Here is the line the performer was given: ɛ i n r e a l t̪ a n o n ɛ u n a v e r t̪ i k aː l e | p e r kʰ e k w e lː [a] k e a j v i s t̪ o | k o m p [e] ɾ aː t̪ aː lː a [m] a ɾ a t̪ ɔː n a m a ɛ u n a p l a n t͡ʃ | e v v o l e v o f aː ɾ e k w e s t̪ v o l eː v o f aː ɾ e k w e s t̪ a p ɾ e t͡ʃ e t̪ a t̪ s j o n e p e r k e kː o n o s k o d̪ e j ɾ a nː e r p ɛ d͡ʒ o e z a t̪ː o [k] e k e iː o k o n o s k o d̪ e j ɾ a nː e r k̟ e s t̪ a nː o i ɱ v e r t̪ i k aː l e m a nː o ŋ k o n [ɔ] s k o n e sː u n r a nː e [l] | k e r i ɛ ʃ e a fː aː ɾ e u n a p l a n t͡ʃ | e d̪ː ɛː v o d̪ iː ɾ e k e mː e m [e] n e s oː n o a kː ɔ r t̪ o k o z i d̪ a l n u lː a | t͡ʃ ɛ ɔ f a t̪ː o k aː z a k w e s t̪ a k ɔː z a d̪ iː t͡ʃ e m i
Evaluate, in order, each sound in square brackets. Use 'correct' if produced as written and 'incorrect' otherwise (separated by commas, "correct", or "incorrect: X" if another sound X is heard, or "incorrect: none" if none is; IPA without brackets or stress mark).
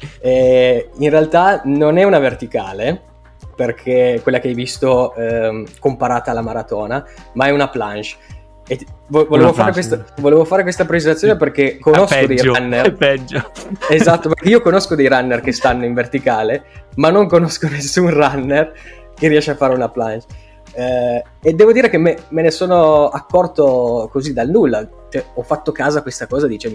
correct, incorrect: a, correct, incorrect: p, incorrect: o, incorrect: r, correct